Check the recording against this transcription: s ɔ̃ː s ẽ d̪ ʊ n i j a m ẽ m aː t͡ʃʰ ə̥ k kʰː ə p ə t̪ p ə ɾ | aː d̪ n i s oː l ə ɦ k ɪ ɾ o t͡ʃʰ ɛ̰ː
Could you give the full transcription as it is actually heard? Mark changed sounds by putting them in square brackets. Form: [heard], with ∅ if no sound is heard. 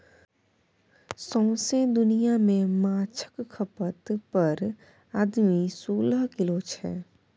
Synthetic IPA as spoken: s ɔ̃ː s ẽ d̪ ʊ n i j a m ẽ m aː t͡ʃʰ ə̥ k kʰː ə p ə t̪ p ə ɾ | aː d̪ [m] i s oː l ə ɦ k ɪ [l] o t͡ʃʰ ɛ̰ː